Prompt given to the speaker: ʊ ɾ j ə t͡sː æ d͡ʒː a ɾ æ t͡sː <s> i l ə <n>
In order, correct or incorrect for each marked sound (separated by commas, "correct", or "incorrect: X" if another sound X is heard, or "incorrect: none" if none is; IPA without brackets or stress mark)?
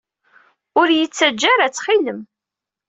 incorrect: χ, incorrect: m